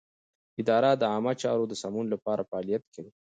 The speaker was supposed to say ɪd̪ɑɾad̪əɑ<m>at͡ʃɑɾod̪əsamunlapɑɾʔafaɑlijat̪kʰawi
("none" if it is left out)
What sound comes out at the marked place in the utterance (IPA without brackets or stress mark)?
m